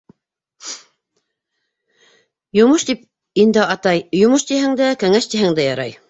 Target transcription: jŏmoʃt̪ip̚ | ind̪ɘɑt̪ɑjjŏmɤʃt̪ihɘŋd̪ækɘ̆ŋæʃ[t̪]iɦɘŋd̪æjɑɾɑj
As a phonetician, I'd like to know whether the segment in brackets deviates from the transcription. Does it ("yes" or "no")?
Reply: no